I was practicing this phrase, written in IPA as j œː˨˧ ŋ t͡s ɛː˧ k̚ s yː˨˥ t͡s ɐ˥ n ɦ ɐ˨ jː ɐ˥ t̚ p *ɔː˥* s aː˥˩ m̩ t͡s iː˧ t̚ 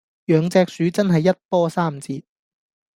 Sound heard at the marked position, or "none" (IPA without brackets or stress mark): ɔː˥